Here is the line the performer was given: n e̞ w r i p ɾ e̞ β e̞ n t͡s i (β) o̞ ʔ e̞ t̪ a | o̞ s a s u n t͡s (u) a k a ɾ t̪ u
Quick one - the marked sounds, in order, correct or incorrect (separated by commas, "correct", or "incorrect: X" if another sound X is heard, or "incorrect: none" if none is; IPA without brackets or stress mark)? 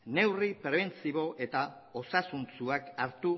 correct, correct